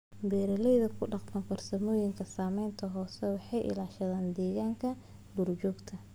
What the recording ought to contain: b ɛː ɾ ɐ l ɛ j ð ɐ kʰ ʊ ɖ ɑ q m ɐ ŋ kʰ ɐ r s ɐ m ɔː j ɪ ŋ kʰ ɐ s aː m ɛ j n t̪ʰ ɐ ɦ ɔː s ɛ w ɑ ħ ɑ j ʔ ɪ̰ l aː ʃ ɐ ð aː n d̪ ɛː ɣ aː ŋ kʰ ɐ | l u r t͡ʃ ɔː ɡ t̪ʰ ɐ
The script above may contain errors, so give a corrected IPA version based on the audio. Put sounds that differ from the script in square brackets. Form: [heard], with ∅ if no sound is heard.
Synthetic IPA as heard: b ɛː ɾ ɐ l ɛ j ð ɐ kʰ ʊ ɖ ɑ q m ɐ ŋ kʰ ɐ r s ɐ m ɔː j ɪ ŋ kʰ ɐ s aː m ɛ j n t̪ʰ ɐ ɦ ɔː s ɛ w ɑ ħ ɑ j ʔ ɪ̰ l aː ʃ ɐ ð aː n d̪ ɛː ɣ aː ŋ kʰ ɐ | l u r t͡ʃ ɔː ɡ t̪ʰ ɐ